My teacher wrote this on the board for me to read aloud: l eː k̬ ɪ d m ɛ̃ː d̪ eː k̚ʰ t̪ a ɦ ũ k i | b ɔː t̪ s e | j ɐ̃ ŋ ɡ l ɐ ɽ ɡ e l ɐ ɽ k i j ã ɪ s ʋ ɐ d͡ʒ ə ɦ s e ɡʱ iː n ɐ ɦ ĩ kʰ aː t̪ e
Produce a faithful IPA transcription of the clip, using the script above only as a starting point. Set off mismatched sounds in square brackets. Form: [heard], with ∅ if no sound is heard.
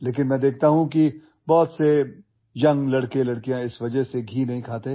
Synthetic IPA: l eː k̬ ɪ [n] m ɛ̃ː d̪ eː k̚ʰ t̪ a ɦ ũ k i | b ɔː t̪ s e | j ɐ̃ ŋ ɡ l ɐ ɽ [k] e l ɐ ɽ k i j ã ɪ s ʋ ɐ d͡ʒ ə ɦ s e ɡʱ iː n ɐ ɦ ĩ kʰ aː t̪ e

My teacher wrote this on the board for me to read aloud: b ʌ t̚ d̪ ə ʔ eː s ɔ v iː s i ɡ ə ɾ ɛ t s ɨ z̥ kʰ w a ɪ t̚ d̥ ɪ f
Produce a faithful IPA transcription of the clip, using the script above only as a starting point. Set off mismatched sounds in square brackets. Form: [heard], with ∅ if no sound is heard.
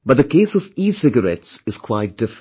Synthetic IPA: b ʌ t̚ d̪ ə [k] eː s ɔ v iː s [ɪ] ɡ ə ɾ ɛ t s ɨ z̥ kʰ w a ɪ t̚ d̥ ɪ f

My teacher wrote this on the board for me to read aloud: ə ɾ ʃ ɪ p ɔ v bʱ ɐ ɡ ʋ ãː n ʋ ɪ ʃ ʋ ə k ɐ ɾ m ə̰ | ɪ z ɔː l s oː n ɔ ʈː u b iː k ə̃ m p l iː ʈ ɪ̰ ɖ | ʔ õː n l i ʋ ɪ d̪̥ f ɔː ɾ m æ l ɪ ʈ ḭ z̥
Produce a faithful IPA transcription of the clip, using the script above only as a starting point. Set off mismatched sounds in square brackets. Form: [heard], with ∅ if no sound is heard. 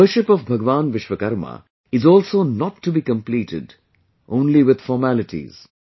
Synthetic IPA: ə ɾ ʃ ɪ p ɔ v bʱ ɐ ɡ ʋ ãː n ʋ ɪ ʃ ʋ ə k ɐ ɾ m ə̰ | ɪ z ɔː l s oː n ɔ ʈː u b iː k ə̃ m p l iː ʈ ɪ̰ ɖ | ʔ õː n l i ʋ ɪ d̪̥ f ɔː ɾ m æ l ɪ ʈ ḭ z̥

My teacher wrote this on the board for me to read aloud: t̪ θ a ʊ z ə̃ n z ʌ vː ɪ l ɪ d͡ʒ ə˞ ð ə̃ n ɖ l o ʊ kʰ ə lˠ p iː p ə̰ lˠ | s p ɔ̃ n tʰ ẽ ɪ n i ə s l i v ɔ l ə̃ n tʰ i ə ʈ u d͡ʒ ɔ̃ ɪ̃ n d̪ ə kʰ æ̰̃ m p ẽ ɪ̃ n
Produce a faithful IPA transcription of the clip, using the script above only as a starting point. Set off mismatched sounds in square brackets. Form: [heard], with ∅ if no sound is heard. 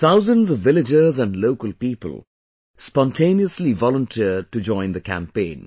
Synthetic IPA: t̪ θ a ʊ z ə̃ n z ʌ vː ɪ l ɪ d͡ʒ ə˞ [z] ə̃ n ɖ l o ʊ [k] ə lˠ p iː p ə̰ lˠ | s p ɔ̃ n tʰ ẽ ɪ n i ə s l i v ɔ l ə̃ n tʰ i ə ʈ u d͡ʒ ɔ̃ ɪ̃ n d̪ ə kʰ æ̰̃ m p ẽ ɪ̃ n

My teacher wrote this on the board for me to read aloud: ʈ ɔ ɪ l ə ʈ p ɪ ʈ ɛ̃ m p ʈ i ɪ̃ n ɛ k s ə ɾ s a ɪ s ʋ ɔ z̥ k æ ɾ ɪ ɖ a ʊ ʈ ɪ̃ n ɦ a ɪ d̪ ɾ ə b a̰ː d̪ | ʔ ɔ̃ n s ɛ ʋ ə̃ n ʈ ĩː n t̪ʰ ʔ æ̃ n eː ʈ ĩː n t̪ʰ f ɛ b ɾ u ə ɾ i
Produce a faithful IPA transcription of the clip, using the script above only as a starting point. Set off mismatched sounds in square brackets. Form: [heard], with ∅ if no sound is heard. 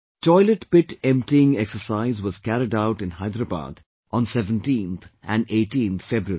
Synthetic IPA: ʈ ɔ ɪ l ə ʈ p ɪ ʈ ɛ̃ m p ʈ i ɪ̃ [ŋ] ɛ k s ə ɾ s a ɪ [z] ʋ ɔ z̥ k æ ɾ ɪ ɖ a ʊ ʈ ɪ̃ n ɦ a ɪ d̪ ɾ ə b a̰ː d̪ | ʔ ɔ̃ n s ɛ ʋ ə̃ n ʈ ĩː n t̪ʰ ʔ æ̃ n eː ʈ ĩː n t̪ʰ f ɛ b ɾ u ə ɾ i

